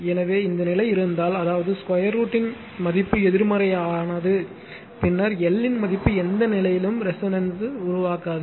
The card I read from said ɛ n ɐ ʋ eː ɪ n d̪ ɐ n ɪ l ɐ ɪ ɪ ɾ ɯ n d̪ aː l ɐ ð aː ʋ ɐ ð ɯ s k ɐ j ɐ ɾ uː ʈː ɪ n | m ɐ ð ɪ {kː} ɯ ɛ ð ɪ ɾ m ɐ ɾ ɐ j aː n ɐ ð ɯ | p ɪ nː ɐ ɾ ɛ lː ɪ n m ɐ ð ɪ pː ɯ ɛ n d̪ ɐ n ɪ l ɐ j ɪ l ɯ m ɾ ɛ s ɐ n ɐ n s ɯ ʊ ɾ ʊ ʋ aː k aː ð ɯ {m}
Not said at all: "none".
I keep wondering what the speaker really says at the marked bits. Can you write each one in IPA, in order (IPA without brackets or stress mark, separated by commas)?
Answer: pː, none